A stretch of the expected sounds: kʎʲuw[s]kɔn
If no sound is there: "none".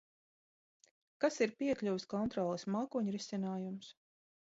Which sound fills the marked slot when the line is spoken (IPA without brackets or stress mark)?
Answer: s